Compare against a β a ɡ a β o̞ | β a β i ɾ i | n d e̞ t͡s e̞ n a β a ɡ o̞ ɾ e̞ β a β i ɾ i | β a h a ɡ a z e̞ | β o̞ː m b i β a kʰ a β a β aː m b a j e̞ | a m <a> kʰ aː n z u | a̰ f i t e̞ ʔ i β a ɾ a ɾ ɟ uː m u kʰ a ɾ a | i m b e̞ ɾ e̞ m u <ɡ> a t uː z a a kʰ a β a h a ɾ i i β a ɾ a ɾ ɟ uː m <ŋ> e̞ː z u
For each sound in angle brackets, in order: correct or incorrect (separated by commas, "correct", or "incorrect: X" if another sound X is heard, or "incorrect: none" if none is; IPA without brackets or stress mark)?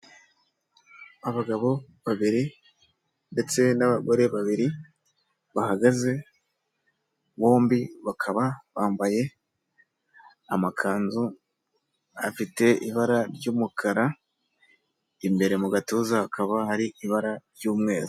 correct, correct, correct